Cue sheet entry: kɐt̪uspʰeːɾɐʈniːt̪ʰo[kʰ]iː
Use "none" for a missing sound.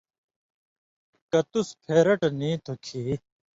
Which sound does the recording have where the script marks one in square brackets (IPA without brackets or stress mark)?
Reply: kʰ